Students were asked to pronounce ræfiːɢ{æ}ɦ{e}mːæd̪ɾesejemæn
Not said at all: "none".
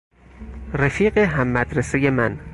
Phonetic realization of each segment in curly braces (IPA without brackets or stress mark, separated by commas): e, æ